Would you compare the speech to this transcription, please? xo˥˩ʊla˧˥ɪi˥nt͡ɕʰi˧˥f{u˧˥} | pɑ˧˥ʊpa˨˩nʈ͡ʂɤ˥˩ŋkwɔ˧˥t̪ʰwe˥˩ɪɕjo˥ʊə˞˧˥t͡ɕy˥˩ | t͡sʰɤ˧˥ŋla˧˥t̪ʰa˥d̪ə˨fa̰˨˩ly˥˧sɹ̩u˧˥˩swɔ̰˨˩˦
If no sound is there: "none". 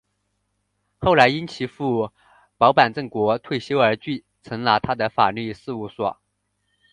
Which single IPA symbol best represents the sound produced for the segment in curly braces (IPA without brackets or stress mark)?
u˥˩